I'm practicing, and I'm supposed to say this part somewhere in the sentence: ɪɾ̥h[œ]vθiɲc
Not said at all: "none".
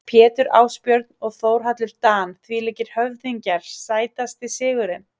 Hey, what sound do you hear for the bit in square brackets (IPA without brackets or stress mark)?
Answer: œ